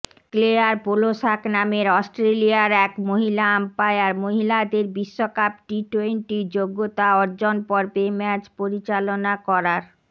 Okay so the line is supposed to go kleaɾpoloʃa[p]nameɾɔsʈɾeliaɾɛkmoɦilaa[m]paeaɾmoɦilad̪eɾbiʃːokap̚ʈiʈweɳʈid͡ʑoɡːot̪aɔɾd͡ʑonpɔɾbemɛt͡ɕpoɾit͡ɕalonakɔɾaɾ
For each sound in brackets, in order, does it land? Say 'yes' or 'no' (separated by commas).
no, yes